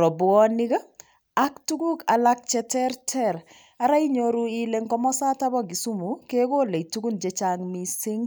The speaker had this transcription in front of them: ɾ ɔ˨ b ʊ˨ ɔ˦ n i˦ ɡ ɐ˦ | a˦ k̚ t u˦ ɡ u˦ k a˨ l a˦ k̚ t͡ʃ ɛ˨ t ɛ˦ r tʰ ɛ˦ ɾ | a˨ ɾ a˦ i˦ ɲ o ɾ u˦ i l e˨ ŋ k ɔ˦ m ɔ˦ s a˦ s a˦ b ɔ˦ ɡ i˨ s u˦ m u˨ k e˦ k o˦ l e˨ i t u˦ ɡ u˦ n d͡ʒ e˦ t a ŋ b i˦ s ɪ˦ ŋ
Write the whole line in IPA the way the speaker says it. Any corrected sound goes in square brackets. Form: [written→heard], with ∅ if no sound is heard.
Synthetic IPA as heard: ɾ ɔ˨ b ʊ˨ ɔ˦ n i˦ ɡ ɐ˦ | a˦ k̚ t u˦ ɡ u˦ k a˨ l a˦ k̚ t͡ʃ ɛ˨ t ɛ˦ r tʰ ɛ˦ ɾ | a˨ ɾ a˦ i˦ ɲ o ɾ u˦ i l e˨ ŋ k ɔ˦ m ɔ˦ s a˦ [s→t] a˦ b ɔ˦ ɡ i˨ s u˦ m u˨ k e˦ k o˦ l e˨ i t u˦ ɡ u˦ n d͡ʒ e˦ [t→t͡ʃ] a ŋ [b→m] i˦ s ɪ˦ ŋ